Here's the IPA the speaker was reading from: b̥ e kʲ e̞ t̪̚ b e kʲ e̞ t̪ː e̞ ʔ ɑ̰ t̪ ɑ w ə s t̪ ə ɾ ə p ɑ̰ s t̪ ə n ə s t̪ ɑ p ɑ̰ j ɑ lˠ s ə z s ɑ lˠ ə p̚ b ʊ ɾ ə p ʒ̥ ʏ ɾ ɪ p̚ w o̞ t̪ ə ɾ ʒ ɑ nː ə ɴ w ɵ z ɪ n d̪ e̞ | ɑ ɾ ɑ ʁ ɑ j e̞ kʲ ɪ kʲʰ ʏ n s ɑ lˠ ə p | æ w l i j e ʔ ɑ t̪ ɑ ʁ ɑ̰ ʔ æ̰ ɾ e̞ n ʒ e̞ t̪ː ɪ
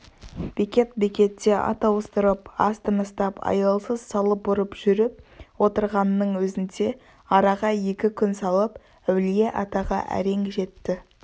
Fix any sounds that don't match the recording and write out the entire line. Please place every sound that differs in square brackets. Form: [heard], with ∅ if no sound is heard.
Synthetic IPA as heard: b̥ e kʲ e̞ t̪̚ b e kʲ e̞ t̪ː e̞ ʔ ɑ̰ t̪ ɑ w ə s t̪ ə ɾ ə p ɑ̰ s t̪ ə n ə s t̪ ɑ p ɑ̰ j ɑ lˠ s ə z s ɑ lˠ ə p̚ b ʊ ɾ ə p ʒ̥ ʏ ɾ ɪ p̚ w o̞ t̪ ə ɾ [ʁ] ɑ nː ə ɴ w ɵ z ɪ n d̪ e̞ | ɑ ɾ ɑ ʁ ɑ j e̞ kʲ ɪ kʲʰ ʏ n s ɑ lˠ ə p | æ w l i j e ʔ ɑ t̪ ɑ ʁ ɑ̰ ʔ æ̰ ɾ e̞ [ŋ] ʒ e̞ t̪ː ɪ